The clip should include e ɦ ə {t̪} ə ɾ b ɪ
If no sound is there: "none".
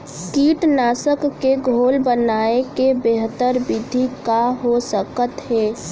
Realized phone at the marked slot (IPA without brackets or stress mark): t̪